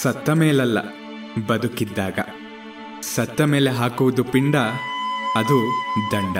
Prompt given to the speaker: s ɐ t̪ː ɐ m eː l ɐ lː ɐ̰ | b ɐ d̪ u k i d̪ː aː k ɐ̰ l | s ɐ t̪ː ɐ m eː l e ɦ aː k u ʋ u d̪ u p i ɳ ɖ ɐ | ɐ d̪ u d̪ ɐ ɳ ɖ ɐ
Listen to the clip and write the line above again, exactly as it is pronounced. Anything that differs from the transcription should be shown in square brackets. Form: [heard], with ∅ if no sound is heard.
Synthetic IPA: s ɐ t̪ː ɐ m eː l ɐ lː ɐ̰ | b ɐ d̪ u k i d̪ː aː [ɡ] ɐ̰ [∅] | s ɐ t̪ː ɐ m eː l e ɦ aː k u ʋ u d̪ u p i ɳ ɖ ɐ | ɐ d̪ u d̪ ɐ ɳ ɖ ɐ